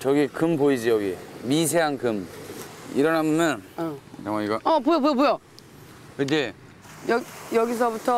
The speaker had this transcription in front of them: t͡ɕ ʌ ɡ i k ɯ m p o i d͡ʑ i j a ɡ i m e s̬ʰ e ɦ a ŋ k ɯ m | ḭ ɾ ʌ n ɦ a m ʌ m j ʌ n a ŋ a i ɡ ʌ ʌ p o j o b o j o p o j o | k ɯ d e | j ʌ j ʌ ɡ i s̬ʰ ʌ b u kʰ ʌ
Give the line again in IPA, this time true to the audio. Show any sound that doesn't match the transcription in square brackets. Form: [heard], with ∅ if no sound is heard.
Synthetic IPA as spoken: t͡ɕ ʌ ɡ i k ɯ m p o i d͡ʑ i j [ʌ] ɡ i m [i] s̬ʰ e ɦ a ŋ k ɯ m | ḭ ɾ ʌ n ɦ a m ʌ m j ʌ n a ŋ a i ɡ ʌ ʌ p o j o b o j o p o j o | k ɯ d e | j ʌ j ʌ ɡ i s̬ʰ ʌ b u [tʰ] ʌ